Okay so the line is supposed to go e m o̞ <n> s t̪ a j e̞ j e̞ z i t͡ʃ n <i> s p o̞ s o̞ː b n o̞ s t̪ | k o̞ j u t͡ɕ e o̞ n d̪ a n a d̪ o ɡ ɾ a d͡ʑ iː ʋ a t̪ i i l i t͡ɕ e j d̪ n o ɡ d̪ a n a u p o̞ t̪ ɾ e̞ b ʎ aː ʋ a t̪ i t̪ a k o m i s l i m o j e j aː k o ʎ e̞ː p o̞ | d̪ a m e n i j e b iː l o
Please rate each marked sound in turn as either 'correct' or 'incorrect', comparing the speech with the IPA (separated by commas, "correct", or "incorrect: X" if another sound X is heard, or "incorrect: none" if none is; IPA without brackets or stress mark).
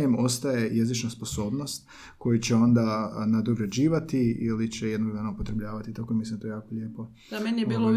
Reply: incorrect: none, incorrect: a